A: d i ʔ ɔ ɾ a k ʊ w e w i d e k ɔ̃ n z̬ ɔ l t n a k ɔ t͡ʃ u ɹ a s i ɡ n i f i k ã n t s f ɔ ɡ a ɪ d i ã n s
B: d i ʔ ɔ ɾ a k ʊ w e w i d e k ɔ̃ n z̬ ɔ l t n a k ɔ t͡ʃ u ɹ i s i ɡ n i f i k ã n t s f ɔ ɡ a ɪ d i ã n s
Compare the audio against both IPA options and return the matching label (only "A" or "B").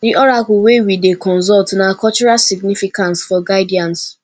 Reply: A